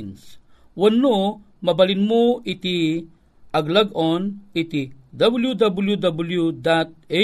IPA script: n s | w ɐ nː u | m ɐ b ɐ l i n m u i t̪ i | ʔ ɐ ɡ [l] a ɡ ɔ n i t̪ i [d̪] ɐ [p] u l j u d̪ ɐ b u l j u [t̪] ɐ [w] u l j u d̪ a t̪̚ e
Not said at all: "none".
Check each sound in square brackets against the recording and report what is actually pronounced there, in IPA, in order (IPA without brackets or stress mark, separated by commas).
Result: l, d̪, b, d̪, b